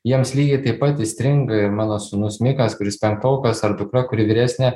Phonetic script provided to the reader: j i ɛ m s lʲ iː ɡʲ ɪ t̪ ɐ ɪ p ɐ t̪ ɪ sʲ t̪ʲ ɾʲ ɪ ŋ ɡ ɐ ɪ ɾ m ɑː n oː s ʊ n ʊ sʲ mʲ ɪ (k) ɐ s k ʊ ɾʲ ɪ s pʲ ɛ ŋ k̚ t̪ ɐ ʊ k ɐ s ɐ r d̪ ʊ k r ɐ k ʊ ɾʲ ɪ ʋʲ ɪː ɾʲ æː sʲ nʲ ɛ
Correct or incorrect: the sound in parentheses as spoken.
correct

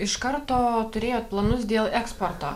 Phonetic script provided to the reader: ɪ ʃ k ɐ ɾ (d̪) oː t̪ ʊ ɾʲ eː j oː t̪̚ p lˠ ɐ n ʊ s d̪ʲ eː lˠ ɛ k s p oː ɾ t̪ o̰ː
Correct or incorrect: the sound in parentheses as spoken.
incorrect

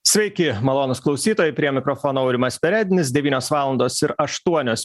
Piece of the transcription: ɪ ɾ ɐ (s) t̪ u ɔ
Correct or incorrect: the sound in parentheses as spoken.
incorrect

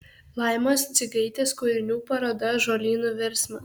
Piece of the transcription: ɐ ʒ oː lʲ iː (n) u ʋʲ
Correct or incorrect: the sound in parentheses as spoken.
correct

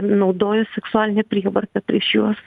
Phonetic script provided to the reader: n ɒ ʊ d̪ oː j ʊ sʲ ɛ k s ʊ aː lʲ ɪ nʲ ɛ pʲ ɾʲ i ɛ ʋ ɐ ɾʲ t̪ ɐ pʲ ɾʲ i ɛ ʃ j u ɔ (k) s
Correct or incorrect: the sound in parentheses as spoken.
incorrect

